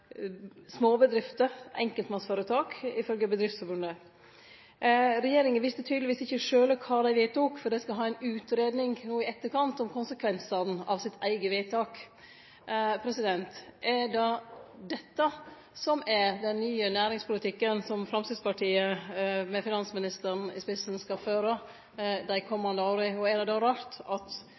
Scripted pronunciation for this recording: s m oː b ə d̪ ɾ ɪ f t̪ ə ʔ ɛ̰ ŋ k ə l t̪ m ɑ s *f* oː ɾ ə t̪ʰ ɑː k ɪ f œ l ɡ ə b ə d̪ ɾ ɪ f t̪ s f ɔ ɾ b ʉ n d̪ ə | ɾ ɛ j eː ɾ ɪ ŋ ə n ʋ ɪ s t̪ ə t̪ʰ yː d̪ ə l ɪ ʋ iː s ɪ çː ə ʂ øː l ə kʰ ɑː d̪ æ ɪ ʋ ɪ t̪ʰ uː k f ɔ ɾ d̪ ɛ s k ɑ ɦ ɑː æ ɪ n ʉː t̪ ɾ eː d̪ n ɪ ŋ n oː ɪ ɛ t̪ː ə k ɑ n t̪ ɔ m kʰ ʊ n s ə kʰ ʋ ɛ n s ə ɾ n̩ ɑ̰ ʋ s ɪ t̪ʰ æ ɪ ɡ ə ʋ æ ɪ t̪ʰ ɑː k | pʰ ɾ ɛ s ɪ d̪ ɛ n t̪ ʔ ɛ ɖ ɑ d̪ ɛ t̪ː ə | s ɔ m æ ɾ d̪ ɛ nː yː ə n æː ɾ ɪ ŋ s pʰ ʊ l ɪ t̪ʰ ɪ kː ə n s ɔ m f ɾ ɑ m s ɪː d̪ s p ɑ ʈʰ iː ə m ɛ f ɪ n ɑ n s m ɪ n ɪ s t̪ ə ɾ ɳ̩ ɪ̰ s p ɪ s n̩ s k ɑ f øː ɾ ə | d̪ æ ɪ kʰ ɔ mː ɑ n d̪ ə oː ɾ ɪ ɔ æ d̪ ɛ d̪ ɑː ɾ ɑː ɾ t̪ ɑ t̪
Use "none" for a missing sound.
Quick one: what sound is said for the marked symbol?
f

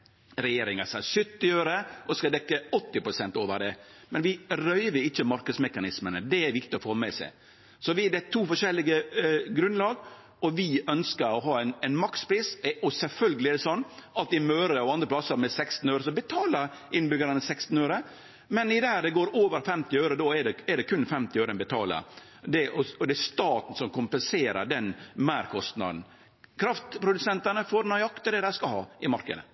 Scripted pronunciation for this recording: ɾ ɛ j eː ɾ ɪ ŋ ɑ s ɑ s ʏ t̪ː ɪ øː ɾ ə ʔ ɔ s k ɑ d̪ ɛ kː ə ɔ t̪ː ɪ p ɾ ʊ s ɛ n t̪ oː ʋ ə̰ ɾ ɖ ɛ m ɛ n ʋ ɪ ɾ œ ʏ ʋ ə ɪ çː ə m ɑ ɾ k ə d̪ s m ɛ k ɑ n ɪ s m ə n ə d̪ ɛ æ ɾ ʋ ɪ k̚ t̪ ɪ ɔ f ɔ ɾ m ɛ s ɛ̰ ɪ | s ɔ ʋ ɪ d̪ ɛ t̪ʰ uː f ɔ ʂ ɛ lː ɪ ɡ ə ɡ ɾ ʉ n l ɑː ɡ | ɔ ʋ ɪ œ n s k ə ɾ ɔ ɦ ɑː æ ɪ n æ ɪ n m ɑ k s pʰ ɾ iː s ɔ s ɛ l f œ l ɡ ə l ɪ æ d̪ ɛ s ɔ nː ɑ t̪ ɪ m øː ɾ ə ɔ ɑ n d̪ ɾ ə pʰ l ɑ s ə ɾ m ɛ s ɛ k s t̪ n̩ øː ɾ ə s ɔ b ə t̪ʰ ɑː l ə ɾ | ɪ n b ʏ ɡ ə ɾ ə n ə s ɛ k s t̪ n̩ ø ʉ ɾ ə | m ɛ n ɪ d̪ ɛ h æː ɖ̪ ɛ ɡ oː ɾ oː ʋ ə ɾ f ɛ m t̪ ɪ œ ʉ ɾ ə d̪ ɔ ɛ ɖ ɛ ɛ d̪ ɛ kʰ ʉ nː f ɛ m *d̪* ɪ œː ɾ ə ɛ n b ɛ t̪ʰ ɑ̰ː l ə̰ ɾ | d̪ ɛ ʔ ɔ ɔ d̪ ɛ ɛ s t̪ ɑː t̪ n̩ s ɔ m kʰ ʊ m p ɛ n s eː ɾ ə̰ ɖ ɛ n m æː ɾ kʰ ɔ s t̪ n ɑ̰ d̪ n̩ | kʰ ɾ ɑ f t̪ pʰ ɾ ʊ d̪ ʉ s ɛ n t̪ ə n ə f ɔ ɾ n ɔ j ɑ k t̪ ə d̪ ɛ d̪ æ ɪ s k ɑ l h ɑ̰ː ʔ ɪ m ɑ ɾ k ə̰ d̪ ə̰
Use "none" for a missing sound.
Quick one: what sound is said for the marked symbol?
t̪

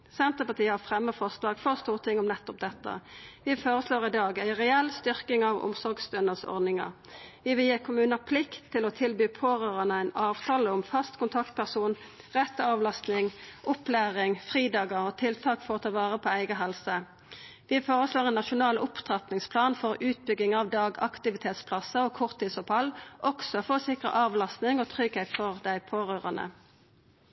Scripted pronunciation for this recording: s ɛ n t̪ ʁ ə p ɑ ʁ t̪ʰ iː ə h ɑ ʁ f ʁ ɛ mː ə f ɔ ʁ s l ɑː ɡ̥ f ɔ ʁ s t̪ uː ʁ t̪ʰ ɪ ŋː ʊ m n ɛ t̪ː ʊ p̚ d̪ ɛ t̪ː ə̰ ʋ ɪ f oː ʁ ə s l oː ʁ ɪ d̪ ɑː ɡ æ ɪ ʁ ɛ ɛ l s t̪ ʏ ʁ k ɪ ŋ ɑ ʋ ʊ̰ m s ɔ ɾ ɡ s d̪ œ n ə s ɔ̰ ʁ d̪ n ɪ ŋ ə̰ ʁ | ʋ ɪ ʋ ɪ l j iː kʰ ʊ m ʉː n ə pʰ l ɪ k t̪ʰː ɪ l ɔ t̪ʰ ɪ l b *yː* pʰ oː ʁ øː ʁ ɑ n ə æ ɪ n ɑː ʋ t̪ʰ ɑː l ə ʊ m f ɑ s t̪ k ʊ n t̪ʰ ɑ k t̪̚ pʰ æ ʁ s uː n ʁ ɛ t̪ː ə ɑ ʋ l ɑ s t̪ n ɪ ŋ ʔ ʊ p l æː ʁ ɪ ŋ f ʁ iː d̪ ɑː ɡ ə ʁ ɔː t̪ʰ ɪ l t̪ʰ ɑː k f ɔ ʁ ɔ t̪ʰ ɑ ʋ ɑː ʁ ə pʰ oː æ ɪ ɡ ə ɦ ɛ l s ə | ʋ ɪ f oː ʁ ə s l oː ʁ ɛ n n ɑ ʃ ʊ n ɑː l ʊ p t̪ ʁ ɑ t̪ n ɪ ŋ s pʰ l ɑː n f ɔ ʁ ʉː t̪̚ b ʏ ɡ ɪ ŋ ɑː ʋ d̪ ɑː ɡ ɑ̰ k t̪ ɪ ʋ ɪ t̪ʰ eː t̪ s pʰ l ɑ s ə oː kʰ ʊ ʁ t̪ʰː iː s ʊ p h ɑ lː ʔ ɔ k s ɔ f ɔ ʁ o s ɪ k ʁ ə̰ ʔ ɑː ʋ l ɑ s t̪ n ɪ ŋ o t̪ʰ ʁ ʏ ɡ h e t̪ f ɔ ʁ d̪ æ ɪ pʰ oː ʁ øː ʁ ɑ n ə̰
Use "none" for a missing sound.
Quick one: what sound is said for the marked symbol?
yː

